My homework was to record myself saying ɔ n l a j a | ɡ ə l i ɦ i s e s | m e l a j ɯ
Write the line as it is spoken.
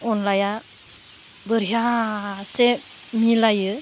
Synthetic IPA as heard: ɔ n l a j a | b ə ɾ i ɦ a s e | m i l a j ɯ